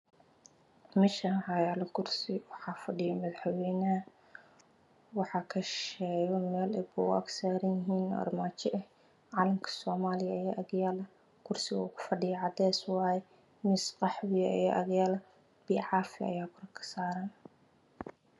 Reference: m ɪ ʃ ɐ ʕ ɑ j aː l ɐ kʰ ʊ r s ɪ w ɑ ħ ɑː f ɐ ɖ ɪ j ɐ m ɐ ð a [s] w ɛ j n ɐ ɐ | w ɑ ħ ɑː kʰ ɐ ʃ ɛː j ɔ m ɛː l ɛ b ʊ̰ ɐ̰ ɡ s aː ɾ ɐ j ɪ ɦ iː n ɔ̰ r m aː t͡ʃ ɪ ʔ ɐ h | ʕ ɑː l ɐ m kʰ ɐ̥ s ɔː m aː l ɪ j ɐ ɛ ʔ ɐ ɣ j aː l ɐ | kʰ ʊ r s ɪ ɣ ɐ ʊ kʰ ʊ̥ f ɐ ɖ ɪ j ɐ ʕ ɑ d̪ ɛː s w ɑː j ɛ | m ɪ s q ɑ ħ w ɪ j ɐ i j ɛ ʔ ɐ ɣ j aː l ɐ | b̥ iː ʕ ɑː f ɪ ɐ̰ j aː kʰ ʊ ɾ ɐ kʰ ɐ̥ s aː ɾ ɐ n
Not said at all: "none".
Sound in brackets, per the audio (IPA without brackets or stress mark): ħ